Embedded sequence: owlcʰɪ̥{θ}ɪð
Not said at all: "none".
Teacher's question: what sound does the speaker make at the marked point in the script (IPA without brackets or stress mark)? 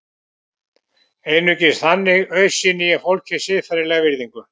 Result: s